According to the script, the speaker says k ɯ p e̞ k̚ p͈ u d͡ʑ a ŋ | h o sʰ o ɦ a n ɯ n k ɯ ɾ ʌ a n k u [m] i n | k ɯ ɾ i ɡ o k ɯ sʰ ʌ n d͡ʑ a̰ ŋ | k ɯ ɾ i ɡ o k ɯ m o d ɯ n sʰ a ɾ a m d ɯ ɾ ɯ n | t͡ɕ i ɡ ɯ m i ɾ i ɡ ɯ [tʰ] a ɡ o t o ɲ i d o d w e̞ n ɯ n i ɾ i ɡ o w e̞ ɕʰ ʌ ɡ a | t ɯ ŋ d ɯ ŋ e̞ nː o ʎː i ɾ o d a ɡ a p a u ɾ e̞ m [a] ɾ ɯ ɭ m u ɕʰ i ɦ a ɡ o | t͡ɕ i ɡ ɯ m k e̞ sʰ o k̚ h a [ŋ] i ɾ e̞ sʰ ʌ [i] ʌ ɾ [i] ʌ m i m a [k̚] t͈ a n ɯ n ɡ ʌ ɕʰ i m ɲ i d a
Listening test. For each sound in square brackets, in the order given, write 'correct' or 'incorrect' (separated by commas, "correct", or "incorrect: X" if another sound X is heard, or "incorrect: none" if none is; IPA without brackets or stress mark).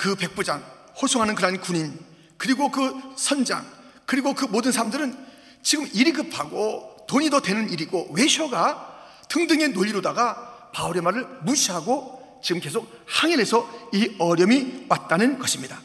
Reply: incorrect: ɲ, incorrect: pʰ, correct, correct, correct, incorrect: j, incorrect: t̚